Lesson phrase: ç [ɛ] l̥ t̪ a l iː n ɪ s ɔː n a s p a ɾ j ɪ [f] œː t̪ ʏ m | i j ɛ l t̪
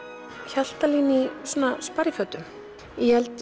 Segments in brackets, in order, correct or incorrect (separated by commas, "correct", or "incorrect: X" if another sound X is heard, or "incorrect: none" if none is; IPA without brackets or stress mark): incorrect: a, correct